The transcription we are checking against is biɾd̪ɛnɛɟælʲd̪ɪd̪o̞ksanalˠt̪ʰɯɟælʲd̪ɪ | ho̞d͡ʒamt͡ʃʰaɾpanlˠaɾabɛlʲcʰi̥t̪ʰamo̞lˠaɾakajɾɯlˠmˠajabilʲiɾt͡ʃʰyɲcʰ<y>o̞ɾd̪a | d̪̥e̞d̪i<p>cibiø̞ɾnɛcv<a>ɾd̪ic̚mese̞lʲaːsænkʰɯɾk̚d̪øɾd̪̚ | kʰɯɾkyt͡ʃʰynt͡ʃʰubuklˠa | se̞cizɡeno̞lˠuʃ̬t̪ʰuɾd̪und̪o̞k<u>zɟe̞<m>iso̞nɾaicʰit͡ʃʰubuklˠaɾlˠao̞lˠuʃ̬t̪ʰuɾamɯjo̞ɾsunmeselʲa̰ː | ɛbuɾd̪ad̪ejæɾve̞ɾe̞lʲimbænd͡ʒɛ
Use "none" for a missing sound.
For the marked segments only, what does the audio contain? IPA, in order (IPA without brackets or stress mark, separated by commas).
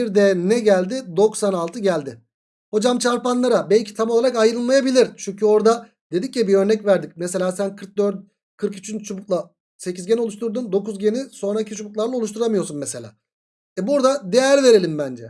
y, c, æ, u, n